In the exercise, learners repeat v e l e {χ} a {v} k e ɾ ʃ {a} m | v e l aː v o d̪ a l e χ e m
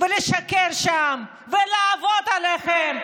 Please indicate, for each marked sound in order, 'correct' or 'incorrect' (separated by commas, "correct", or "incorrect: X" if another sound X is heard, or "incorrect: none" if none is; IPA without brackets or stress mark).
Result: incorrect: ʃ, incorrect: none, correct